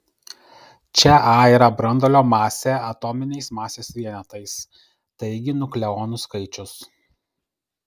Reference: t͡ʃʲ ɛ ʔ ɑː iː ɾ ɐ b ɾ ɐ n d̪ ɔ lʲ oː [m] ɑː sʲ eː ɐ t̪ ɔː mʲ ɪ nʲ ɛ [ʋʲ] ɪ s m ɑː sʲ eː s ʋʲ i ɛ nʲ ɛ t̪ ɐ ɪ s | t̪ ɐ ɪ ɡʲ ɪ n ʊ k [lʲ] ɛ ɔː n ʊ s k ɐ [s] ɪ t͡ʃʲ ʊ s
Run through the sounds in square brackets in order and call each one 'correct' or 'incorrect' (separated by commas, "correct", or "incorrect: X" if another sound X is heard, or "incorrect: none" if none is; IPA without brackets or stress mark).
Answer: correct, incorrect: none, correct, incorrect: none